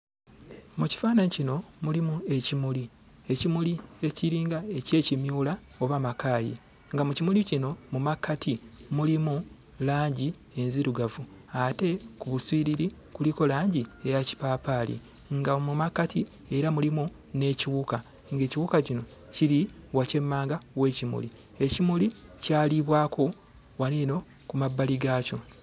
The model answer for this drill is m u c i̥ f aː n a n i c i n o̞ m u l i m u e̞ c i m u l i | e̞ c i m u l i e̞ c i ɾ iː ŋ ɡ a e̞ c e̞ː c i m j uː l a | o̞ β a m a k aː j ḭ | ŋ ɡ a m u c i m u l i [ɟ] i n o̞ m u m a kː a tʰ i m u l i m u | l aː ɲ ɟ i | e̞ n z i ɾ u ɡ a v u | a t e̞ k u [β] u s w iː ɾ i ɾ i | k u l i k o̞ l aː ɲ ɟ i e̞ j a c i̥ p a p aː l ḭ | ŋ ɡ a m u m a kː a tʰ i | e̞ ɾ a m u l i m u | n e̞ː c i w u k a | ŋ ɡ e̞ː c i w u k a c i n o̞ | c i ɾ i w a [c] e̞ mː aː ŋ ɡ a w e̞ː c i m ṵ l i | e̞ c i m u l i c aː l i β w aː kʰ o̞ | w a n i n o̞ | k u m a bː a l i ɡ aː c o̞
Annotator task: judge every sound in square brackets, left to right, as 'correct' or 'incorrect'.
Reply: incorrect: c, correct, correct

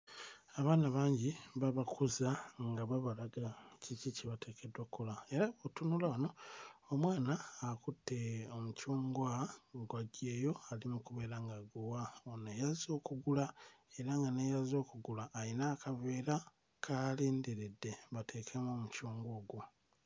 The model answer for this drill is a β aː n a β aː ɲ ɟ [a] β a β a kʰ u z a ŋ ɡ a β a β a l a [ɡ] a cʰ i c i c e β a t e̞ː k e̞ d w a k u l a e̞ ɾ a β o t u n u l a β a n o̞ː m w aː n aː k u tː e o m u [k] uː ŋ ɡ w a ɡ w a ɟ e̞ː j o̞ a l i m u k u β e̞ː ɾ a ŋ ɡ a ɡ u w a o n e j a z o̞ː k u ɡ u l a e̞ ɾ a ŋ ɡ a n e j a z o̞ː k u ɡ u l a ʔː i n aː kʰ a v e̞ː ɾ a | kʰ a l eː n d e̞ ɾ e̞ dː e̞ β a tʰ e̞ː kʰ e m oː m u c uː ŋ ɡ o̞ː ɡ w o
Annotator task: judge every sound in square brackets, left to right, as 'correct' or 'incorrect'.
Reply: incorrect: i, correct, incorrect: c

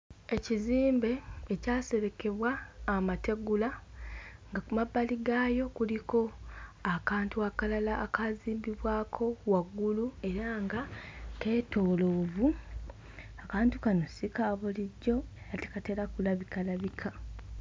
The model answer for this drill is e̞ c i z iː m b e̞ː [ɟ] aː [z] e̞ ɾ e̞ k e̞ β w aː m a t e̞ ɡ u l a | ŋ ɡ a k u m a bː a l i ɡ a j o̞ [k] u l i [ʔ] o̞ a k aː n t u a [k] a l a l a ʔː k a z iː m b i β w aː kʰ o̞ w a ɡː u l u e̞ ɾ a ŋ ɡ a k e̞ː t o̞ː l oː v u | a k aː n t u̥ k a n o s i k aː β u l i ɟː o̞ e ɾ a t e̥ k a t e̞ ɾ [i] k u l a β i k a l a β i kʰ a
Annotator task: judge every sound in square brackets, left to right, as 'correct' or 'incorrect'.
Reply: incorrect: c, incorrect: s, correct, incorrect: k, correct, incorrect: a

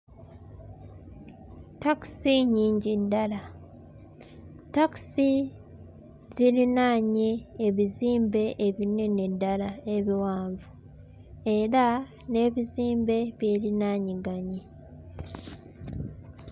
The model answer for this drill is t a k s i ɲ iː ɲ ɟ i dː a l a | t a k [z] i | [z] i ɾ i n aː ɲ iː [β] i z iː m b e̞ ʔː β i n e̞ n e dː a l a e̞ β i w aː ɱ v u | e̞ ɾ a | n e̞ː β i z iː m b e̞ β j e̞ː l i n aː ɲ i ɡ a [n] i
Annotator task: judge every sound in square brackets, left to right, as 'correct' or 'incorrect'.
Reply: incorrect: s, correct, correct, incorrect: ɲ

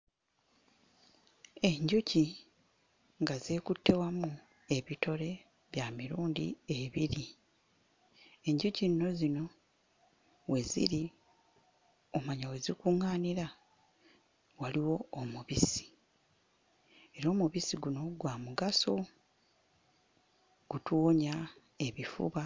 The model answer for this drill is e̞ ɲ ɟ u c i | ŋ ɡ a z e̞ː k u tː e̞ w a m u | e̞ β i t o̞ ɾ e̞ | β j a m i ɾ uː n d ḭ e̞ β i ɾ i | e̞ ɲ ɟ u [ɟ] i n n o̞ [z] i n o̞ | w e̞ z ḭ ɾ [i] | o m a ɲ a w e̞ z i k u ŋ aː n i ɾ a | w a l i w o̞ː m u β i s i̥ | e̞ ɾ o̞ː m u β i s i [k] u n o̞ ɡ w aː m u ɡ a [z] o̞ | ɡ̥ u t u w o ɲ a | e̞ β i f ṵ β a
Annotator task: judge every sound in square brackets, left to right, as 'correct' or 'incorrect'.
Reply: incorrect: c, correct, correct, incorrect: ɡ, incorrect: s

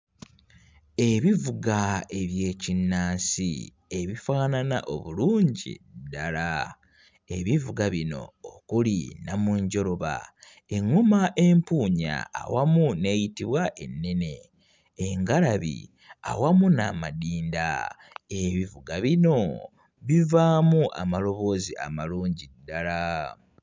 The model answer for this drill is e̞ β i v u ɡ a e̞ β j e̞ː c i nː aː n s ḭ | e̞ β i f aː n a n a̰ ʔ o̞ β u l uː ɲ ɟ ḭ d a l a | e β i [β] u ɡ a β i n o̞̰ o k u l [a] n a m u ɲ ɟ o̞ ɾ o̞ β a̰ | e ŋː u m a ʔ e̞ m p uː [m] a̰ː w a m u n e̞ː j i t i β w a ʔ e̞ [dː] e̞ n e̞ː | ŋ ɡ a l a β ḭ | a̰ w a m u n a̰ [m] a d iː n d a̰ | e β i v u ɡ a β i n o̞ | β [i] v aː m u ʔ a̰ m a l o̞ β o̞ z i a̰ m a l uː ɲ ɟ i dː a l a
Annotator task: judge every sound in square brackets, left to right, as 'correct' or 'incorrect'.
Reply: incorrect: v, incorrect: i, incorrect: ɲ, incorrect: nː, correct, correct

